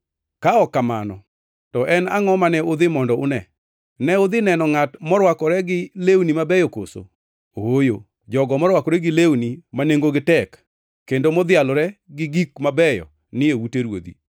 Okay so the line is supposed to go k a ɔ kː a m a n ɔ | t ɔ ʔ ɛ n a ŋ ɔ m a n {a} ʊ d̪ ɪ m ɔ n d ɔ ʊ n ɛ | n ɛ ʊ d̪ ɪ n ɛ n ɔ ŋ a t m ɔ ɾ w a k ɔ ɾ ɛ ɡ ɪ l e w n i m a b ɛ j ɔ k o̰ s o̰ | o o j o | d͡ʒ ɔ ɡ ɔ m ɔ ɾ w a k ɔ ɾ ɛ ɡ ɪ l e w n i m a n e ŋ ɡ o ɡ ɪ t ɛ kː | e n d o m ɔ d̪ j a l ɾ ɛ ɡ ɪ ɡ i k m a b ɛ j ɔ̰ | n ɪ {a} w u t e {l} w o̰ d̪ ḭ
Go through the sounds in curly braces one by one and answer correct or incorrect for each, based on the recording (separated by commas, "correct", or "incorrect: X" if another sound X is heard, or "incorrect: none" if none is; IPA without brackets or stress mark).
incorrect: ɛ, incorrect: e, incorrect: ɾ